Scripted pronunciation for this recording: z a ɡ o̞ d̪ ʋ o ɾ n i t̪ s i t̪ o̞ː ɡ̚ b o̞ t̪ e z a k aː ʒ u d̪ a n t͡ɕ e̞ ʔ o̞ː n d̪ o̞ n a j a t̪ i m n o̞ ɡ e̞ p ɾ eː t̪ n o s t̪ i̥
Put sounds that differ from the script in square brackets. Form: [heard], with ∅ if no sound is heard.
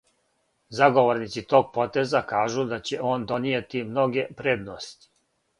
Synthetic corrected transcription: z a ɡ o̞ [∅] ʋ o ɾ n i t̪ s i t̪ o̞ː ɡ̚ [p] o̞ t̪ e z a k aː ʒ u d̪ a [∅] t͡ɕ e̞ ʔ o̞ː n d̪ o̞ n [i] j [e] t̪ i m n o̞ ɡ e̞ p ɾ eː [d̪] n o s t̪ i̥